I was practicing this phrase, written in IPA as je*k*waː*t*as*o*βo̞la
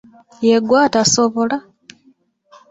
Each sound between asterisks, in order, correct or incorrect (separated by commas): incorrect, correct, correct